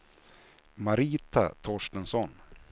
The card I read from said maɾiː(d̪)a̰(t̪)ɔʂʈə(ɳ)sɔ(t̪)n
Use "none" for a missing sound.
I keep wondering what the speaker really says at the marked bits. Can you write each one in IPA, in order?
t̪, t̪ʰ, n, none

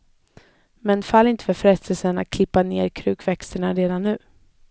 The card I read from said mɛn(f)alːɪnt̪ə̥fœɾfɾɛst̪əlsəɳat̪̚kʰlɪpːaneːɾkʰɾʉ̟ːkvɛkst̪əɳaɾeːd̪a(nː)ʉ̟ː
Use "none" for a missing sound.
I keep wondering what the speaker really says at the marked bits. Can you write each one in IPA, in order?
f, nː

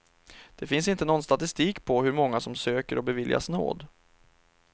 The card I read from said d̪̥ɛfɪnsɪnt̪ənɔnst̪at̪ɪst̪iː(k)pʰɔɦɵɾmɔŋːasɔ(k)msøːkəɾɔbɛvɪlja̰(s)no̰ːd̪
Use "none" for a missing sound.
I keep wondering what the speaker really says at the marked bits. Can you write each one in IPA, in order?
k, none, s

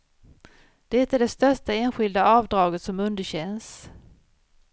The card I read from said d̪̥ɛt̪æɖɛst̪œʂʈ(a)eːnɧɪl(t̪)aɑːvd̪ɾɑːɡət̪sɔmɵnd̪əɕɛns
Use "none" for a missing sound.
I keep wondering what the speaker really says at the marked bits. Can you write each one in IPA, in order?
a, d̪

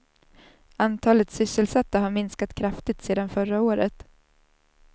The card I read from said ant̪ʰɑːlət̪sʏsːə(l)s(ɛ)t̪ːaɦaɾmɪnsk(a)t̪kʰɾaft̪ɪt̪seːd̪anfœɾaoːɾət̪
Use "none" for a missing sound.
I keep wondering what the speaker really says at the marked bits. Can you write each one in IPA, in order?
l, a, a

